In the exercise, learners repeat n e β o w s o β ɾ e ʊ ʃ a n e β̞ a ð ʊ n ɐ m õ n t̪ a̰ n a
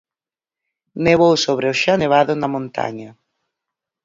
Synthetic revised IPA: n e β o w s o β ɾ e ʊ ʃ a n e β̞ a ð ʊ n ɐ m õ n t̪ a̰ ɲ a